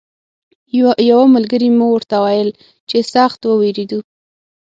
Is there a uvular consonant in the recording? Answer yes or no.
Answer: no